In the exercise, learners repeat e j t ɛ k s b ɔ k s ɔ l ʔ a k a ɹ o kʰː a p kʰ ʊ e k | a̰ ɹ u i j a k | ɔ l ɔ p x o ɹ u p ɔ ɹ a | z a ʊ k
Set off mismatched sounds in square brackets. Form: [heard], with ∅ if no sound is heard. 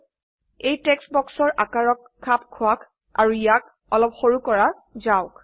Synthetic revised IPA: e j t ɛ k s b ɔ k s ɔ [ɹ] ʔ a k a ɹ [ɔ] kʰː a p kʰ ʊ [a] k | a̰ ɹ u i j a k | ɔ l ɔ p x o ɹ u [k] ɔ ɹ a | z a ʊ k